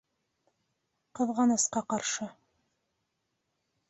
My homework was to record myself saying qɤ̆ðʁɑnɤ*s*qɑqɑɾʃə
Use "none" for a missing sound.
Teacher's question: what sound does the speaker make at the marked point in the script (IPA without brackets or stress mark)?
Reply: s